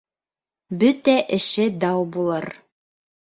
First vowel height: mid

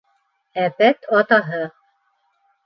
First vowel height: low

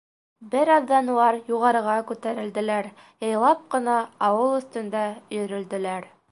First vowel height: mid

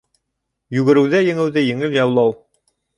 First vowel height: high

